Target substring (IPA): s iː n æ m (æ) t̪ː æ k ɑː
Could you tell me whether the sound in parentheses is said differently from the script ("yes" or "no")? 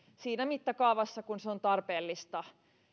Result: yes